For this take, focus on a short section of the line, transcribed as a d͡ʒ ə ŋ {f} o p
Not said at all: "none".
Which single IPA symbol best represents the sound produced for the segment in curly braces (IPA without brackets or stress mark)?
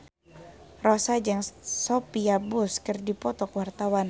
s